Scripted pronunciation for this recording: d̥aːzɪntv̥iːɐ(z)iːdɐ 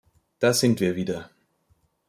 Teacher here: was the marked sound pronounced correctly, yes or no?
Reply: no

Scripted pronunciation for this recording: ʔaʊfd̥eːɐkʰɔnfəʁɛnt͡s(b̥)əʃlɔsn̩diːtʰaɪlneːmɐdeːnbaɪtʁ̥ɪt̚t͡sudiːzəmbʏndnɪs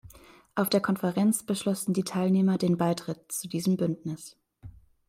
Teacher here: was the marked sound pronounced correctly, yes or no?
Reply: yes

